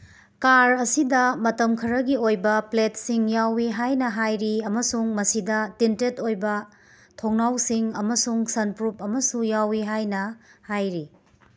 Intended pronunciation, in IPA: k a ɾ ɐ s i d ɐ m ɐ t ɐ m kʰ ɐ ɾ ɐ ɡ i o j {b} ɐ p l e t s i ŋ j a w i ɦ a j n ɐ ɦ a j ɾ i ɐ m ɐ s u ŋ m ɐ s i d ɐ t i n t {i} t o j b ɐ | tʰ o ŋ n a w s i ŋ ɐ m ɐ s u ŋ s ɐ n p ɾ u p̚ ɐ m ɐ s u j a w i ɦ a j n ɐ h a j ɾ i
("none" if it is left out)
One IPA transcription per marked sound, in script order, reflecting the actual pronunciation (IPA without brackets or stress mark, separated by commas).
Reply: b, e